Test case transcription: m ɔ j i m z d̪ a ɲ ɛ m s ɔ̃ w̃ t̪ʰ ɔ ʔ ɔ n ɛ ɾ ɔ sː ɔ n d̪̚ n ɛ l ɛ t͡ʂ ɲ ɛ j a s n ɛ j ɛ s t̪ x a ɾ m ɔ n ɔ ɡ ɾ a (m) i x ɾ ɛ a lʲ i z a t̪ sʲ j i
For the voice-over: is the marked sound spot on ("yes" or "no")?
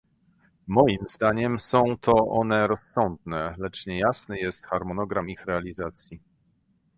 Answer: yes